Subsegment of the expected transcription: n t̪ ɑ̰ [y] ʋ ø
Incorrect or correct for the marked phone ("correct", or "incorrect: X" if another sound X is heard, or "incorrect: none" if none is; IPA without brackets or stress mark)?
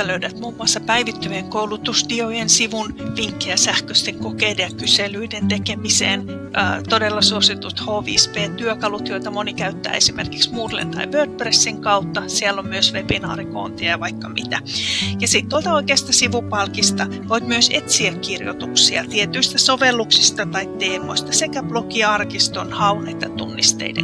incorrect: i